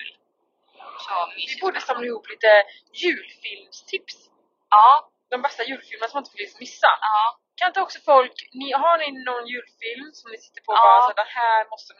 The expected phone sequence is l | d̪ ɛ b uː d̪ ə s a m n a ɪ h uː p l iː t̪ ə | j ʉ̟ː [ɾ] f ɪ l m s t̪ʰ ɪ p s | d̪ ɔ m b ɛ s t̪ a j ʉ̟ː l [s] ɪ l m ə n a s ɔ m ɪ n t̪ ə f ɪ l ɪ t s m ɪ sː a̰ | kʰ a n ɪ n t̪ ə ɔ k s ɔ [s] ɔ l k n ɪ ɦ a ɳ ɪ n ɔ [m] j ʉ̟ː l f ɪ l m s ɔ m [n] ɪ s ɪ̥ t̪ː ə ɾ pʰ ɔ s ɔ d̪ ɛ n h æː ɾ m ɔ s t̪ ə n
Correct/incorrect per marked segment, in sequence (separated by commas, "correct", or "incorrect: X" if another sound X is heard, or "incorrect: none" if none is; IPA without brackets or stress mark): incorrect: l, incorrect: f, incorrect: f, incorrect: n, correct